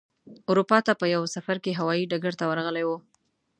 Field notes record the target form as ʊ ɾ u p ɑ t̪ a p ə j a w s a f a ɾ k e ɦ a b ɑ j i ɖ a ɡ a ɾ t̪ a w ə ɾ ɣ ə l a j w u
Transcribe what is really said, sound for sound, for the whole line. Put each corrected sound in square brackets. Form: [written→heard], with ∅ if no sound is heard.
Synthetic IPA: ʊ ɾ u p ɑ t̪ a p ə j a w s a f a ɾ k e ɦ a [b→w] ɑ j i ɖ a ɡ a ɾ t̪ a w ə ɾ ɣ ə l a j w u